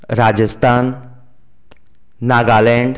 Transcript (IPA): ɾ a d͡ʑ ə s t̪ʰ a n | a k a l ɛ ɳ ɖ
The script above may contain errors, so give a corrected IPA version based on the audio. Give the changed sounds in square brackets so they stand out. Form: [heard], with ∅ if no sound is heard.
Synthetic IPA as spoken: ɾ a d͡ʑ ə s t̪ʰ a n | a [ɡ] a l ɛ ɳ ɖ